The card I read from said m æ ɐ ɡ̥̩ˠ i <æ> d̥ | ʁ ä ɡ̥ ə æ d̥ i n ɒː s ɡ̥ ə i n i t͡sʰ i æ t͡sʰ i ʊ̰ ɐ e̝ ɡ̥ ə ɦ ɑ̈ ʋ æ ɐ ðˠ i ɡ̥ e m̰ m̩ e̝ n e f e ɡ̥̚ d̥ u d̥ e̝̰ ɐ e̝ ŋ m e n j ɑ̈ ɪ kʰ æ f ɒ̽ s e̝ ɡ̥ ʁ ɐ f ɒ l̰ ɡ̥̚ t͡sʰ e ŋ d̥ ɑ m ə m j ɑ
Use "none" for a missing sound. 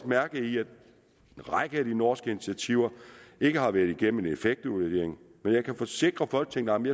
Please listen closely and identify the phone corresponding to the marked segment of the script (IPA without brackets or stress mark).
æ